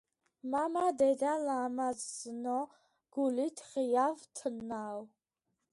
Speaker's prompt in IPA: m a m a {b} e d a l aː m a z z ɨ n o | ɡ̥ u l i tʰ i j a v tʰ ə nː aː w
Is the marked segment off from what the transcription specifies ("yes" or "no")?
yes